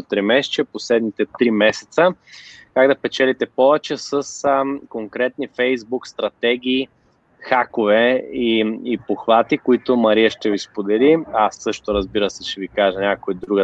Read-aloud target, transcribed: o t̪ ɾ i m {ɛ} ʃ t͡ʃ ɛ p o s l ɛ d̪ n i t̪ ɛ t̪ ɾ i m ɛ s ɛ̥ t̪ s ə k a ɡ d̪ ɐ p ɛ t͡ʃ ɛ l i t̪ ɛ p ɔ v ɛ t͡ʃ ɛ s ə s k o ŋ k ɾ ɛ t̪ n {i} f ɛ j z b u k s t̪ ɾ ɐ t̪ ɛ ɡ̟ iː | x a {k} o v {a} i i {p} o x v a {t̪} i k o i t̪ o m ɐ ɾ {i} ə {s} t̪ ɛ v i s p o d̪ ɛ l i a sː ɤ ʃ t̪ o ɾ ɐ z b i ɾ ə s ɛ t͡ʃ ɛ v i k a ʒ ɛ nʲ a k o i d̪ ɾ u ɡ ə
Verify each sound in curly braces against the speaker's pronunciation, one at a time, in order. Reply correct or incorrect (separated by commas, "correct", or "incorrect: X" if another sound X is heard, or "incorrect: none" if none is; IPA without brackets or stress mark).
correct, correct, correct, incorrect: ɛ, correct, correct, correct, incorrect: ʃ